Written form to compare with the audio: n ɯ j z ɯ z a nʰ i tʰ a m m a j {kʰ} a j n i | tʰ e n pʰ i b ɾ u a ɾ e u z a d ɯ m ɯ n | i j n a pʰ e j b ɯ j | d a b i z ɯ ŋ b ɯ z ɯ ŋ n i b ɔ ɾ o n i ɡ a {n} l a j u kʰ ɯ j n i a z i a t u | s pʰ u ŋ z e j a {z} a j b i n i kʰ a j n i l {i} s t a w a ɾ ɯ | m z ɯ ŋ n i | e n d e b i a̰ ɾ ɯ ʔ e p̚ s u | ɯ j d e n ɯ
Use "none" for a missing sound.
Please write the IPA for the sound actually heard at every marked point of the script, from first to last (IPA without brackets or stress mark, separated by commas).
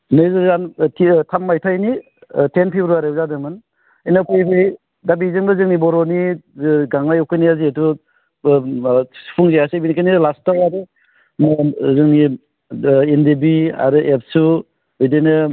tʰ, ŋ, s, a